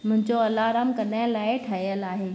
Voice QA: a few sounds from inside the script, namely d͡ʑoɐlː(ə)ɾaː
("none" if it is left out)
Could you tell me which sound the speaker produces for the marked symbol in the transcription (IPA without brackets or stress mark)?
a